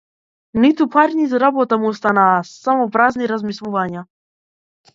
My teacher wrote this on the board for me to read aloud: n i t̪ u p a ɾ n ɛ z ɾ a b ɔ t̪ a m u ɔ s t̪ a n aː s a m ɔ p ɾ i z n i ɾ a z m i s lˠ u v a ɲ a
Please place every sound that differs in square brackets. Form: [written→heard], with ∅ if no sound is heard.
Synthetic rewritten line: n i t̪ u p a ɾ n [ɛ→i] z ɾ a b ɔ t̪ a m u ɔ s t̪ a n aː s a m ɔ p ɾ [i→a] z n i ɾ a z m i s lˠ u v a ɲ a